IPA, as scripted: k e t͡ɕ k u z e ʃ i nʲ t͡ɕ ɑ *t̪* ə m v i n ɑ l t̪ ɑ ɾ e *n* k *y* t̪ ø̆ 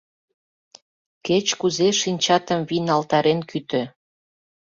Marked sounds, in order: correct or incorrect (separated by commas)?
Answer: correct, correct, correct